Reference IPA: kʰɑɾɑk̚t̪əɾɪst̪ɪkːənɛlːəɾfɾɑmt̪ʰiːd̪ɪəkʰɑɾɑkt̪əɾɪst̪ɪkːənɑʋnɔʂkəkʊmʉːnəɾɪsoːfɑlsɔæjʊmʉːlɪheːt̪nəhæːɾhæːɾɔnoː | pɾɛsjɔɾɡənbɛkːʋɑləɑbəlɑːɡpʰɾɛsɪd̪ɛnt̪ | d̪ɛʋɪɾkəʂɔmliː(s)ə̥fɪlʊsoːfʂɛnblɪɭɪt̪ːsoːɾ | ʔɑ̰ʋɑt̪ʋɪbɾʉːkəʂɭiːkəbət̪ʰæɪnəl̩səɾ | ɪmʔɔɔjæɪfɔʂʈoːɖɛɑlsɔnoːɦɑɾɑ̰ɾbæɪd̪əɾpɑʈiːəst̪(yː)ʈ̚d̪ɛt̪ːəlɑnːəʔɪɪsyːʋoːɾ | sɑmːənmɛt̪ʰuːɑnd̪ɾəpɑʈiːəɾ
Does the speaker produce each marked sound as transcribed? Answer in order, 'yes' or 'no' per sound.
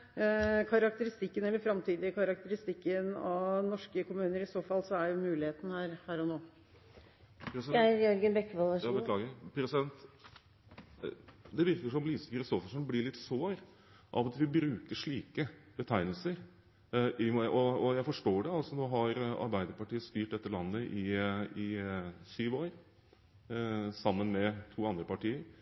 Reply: yes, yes

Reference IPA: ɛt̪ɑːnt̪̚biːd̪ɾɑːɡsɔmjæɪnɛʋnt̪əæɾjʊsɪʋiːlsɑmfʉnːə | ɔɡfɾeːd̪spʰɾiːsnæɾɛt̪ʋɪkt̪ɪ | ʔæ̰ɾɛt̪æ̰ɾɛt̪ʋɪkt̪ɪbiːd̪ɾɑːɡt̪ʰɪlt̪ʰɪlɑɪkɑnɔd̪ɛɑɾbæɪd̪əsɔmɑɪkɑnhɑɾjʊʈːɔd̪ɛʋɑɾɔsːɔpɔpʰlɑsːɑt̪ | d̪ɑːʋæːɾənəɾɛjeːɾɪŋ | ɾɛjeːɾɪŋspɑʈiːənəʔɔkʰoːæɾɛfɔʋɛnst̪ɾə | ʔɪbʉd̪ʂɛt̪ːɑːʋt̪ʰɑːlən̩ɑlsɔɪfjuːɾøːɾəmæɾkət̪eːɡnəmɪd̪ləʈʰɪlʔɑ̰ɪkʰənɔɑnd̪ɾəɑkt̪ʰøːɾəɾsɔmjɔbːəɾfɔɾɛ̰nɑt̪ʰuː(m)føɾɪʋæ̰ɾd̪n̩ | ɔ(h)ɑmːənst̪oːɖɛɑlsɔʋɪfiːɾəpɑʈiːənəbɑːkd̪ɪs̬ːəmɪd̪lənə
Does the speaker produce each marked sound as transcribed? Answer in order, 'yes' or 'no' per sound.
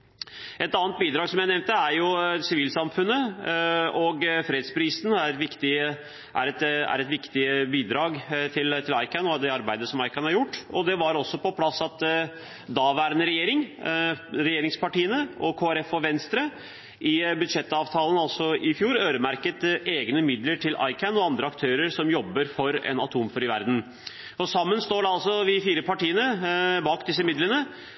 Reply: yes, no

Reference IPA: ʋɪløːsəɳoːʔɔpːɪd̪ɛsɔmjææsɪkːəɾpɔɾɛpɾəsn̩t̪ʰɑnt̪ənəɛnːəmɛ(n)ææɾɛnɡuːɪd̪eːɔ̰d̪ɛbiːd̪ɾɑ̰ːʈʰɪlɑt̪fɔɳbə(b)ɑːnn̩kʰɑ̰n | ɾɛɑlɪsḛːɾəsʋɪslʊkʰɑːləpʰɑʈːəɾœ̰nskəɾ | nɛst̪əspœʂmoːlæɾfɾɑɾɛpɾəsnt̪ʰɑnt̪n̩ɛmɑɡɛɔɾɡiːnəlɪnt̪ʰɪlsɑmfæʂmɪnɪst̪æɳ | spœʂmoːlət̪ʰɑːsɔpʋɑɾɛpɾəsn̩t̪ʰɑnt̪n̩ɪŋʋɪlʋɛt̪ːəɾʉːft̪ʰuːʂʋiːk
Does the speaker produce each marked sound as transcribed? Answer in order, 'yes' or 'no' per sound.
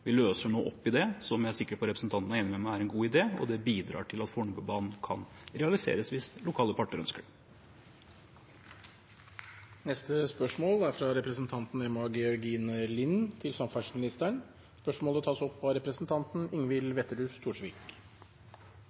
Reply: no, yes

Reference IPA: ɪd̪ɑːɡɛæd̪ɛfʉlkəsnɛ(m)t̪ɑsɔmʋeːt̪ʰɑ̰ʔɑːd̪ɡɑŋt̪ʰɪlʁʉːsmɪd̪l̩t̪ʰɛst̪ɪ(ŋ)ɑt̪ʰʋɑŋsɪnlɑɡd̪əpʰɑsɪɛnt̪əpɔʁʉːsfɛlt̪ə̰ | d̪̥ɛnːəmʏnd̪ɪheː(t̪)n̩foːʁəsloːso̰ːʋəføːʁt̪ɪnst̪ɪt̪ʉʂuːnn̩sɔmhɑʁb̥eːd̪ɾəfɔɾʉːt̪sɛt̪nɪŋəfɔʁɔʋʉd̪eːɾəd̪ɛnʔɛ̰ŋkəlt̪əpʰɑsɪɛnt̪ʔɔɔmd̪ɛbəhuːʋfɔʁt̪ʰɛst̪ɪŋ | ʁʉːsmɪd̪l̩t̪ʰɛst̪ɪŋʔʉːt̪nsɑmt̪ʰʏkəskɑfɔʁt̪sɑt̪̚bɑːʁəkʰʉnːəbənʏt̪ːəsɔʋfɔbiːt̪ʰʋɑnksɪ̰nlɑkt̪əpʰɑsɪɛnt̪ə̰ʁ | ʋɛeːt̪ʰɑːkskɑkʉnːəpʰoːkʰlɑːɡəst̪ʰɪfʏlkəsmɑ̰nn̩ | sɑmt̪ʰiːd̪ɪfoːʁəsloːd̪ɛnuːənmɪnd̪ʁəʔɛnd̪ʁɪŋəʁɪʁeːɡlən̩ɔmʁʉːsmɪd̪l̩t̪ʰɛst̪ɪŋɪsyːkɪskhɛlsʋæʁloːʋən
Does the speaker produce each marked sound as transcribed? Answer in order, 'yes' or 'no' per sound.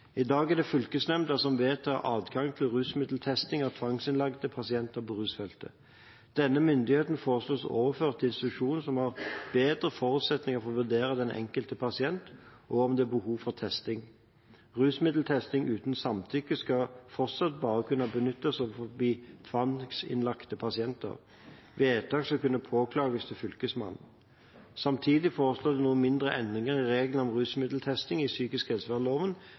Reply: yes, yes, yes

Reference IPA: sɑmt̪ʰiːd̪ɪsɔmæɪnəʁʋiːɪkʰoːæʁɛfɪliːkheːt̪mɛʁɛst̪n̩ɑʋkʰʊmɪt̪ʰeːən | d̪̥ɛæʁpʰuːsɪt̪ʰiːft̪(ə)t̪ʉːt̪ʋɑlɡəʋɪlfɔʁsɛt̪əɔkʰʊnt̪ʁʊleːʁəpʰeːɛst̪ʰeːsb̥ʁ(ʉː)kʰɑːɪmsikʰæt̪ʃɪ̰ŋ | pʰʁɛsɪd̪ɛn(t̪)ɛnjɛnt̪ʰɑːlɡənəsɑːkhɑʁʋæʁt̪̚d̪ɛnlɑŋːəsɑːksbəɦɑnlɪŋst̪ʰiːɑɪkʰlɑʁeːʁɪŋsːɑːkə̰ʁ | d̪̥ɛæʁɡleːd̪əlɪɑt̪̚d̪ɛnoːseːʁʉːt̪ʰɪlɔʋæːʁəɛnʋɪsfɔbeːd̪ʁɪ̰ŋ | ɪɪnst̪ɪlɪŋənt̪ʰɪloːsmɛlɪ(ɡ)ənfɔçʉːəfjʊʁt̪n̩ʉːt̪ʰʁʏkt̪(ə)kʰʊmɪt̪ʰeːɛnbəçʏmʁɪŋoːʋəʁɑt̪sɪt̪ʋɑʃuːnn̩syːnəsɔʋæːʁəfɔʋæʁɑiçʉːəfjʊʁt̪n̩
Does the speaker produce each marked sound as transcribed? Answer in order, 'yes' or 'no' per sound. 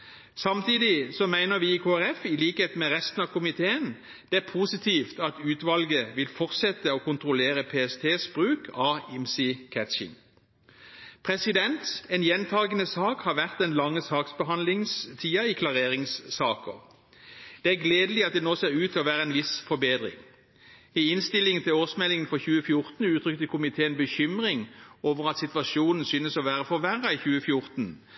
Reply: no, yes, yes, no, yes

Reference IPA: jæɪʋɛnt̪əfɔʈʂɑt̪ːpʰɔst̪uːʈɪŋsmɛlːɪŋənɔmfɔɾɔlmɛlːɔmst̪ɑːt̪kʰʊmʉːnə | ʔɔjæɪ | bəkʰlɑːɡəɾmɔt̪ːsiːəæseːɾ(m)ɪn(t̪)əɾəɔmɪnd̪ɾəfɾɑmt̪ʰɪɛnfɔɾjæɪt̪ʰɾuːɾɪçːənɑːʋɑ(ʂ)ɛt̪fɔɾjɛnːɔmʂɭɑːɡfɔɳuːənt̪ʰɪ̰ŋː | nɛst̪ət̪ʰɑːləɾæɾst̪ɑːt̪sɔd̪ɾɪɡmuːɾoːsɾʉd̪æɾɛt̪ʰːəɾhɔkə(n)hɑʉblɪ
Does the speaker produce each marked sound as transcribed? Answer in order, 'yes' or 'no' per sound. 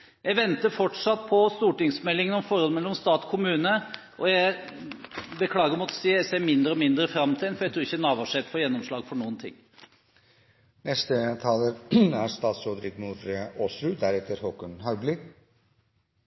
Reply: yes, no, yes, yes

